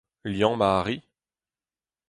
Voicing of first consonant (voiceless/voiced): voiced